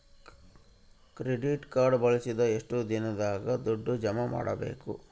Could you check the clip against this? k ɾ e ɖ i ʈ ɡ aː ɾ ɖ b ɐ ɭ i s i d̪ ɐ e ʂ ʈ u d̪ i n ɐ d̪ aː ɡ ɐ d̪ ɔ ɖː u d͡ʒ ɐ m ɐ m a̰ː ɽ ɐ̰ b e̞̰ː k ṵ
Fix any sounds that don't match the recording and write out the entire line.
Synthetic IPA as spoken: k ɾ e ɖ i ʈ k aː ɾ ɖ b ɐ ɭ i s i d̪ ɐ e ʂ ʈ u d̪ i n ɐ d̪ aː ɡ ɐ d̪ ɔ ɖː u d͡ʒ ɐ m ɐ m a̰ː ɽ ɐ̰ b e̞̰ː k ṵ